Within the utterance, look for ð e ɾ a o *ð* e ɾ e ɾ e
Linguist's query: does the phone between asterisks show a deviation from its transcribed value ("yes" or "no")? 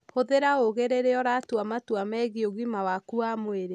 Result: yes